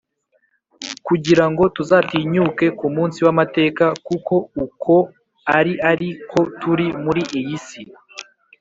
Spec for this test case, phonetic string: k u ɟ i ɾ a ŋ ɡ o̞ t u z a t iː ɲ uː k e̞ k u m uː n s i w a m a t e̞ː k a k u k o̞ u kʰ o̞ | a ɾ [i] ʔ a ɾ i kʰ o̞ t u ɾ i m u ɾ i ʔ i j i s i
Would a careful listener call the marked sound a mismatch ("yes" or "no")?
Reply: no